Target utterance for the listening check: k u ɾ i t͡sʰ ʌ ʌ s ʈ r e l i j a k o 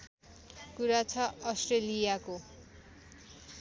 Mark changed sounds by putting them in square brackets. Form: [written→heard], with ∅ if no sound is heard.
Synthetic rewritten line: k u ɾ [i→a] t͡sʰ ʌ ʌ s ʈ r e l i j a k o